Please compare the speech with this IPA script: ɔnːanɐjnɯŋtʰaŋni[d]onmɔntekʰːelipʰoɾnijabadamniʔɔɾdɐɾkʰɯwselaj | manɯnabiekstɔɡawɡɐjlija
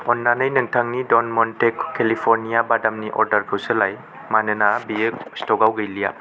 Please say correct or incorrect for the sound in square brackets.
correct